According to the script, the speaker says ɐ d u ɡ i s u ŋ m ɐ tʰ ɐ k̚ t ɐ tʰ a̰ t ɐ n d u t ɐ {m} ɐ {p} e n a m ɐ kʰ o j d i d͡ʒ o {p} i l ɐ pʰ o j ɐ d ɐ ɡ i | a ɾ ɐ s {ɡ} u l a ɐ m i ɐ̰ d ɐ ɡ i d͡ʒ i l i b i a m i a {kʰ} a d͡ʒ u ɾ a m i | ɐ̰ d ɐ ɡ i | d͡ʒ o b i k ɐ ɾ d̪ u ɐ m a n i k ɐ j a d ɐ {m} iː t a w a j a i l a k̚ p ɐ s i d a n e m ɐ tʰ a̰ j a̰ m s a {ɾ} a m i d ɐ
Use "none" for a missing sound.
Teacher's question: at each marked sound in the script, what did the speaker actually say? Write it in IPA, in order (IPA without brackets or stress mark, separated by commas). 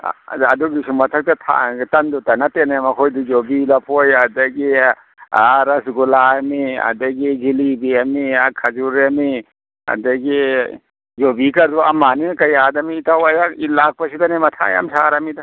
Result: n, t, b, ɡ, kʰ, m, ɾ